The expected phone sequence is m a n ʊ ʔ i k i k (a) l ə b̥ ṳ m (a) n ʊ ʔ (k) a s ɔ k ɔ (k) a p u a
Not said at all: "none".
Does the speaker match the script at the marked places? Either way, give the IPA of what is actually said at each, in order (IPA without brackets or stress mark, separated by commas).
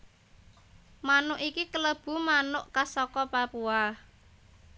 ə, a, k, p